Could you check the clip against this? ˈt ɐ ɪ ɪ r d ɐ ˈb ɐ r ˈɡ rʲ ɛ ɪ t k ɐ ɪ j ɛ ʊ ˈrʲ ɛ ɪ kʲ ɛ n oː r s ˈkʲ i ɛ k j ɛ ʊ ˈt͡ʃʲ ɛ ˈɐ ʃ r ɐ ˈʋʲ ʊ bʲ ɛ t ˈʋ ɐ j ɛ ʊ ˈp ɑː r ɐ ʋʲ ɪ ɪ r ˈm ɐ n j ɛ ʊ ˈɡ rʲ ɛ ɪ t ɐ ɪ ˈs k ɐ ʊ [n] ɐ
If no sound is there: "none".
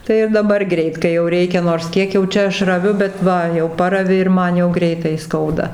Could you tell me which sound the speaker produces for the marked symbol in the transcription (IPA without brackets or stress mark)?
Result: d